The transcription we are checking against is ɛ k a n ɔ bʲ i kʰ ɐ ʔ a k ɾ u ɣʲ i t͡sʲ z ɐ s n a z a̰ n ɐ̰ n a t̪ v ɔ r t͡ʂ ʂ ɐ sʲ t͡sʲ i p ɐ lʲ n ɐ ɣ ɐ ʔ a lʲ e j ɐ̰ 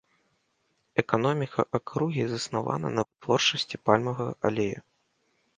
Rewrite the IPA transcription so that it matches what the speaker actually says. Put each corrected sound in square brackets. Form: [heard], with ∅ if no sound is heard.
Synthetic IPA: ɛ k a n ɔ [mʲ] i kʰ ɐ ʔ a k ɾ u ɣʲ i [∅] z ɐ s n a [v] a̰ n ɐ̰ n [ɐ] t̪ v ɔ r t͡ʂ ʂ ɐ sʲ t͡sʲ i p [a] lʲ [m] ɐ ɣ ɐ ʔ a lʲ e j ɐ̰